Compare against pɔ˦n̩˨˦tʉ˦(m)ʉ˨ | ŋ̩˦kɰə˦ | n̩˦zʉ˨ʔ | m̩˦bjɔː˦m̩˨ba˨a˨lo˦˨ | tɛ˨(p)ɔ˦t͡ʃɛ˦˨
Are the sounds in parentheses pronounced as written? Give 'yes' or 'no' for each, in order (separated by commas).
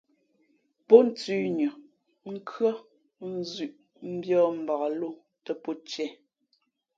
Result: no, yes